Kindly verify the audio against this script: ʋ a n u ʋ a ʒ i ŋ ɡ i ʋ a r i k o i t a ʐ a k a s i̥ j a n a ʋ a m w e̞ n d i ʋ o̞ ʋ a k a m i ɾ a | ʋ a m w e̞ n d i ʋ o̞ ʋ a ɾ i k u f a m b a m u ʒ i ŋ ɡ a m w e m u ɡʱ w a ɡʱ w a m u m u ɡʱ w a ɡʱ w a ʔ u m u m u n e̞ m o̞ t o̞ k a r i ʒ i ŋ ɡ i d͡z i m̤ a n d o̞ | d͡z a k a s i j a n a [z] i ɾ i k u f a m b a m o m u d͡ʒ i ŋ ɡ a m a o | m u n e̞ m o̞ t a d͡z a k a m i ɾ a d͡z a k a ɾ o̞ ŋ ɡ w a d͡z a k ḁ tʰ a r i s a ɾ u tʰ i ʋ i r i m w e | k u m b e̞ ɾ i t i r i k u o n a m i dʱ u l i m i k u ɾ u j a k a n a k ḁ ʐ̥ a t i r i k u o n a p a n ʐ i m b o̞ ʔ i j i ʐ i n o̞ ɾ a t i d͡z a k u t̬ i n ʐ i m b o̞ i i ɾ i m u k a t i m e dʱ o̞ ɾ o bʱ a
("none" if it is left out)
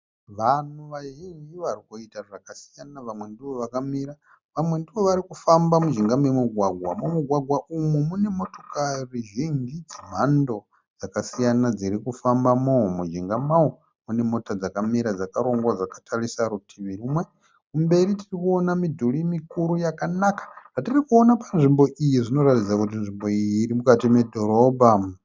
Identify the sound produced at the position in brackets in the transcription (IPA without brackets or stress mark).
d͡z